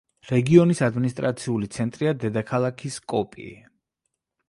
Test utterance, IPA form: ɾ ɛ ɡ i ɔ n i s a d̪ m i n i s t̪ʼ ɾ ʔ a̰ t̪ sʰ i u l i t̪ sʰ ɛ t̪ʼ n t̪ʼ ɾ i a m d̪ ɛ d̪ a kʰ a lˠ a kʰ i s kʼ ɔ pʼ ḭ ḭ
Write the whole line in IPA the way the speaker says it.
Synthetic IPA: ɾ ɛ ɡ i ɔ n i s a d̪ m i n i s t̪ʼ ɾ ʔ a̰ t̪ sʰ i u l i t̪ sʰ ɛ n t̪ʼ ɾ i a d̪ ɛ d̪ a kʰ a lˠ a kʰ i s kʼ ɔ pʼ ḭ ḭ